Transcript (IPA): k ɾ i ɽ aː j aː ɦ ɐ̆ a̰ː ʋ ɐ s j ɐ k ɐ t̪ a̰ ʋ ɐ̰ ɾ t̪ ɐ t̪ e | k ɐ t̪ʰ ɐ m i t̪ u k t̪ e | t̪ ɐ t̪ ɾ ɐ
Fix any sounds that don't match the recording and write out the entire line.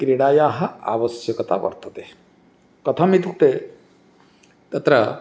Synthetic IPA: k ɾ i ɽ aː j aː ɦ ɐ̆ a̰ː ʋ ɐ s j ɐ k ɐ t̪ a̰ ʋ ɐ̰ ɾ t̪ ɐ t̪ e | k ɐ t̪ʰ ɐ m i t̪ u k t̪ e | t̪ ɐ t̪ ɾ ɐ